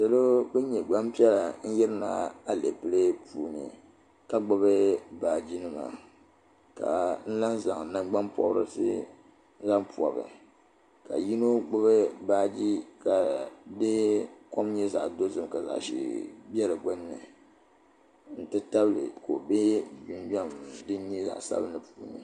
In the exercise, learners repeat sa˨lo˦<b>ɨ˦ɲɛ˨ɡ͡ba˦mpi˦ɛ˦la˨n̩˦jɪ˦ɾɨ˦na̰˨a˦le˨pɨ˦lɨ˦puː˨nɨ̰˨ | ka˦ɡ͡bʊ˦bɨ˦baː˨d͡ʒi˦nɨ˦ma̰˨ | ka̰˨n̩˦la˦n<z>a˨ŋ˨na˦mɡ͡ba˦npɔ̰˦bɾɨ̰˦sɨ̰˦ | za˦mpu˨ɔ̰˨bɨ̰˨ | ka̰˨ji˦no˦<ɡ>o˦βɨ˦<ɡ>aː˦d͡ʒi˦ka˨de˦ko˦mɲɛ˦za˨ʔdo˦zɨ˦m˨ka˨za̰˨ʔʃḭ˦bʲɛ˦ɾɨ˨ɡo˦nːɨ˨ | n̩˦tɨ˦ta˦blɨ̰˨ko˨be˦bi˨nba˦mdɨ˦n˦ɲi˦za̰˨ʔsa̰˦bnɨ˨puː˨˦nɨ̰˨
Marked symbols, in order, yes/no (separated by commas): yes, yes, no, no